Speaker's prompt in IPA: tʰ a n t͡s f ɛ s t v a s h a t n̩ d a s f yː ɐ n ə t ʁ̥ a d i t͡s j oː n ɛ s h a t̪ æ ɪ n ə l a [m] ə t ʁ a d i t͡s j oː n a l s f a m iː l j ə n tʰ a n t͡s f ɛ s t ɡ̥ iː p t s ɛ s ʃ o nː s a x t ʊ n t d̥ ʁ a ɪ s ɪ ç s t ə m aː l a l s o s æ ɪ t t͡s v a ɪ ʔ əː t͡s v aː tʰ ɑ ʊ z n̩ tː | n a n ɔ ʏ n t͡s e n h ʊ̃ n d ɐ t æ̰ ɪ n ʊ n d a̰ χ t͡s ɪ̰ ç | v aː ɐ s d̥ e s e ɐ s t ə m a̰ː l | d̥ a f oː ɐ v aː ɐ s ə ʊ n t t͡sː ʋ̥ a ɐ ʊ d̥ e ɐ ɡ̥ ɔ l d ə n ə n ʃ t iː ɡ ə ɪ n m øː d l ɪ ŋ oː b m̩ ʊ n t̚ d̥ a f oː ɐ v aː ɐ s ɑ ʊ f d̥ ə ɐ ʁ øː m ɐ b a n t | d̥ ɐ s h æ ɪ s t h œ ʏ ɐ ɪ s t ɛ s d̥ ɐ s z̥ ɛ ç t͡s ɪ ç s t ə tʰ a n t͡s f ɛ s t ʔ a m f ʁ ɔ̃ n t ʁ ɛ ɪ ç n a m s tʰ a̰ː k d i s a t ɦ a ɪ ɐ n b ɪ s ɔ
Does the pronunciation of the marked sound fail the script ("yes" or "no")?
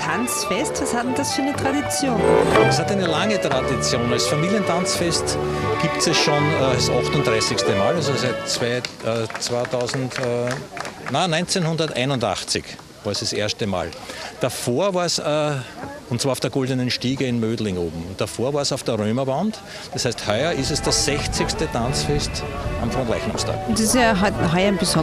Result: yes